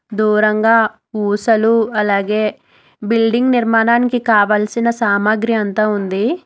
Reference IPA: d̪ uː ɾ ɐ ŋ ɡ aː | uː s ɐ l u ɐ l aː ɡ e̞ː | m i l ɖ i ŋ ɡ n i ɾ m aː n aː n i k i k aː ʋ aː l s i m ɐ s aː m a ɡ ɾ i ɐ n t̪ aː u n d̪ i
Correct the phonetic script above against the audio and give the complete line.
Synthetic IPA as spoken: d̪ uː ɾ ɐ ŋ ɡ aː | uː s ɐ l u ɐ l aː ɡ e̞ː | b i l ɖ i ŋ ɡ n i ɾ m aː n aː n i k i k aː ʋ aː l s i n ɐ s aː m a ɡ ɾ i ɐ n t̪ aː u n d̪ i